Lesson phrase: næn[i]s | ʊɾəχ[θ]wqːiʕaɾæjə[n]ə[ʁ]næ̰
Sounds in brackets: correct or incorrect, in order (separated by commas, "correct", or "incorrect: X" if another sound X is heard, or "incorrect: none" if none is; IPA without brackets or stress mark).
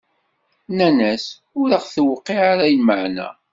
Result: incorrect: æ, correct, incorrect: m, incorrect: ʕ